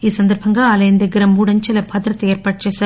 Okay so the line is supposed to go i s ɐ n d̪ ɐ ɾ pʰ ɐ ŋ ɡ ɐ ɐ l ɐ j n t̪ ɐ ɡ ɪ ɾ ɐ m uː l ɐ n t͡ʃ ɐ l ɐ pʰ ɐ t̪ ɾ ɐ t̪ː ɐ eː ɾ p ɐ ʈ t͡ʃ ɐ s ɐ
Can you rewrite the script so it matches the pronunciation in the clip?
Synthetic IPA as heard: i s ɐ n d̪ ɐ ɾ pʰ ɐ ŋ ɡ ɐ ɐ l ɐ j n d̪ ɐ ɡ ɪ ɾ ɐ m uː ɽ ɐ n t͡ʃ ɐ l ɐ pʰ ɐ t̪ ɾ ɐ t̪ː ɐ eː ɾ p ɐ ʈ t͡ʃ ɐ s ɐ